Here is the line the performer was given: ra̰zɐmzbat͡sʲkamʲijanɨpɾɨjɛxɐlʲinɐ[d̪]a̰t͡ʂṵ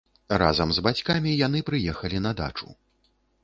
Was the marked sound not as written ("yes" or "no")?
no